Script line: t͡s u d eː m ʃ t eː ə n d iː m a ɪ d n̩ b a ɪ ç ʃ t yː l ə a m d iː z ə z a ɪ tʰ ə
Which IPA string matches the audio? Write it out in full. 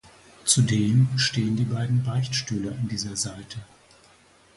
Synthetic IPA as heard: t͡s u d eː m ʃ t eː ə n d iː b a ɪ d n̩ b a ɪ ç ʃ t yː l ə a n d iː z ɐ z a ɪ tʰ ə